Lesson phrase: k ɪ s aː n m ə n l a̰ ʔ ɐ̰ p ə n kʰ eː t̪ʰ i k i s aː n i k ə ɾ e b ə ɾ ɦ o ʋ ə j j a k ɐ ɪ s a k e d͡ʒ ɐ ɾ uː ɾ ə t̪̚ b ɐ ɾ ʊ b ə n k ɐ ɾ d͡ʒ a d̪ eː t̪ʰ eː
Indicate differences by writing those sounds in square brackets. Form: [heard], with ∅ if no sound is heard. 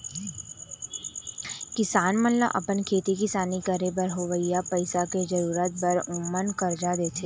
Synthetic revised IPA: k ɪ s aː n m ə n l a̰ ʔ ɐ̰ p ə n kʰ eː [t̪] i k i s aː n i k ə ɾ e b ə ɾ ɦ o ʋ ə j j a [p] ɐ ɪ s a k e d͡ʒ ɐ ɾ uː ɾ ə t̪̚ b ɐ ɾ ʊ [m] ə n k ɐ ɾ d͡ʒ a d̪ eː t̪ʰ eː